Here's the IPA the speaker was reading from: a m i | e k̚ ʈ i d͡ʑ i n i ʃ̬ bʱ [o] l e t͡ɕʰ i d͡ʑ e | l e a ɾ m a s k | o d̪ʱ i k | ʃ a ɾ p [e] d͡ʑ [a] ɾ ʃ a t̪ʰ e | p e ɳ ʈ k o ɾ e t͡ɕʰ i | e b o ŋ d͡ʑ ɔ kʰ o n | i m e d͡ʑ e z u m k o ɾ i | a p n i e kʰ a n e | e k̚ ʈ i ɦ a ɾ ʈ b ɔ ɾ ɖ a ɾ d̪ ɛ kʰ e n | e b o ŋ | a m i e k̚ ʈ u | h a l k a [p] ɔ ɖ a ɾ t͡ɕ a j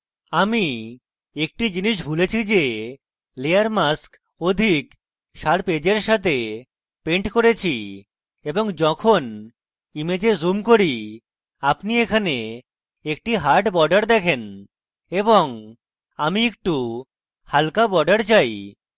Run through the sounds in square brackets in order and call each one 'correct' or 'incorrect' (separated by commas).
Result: incorrect, correct, incorrect, incorrect